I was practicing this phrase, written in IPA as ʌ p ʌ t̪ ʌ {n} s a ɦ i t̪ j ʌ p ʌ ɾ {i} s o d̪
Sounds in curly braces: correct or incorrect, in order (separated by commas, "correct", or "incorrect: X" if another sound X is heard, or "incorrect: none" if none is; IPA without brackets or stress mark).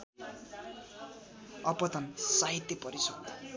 correct, correct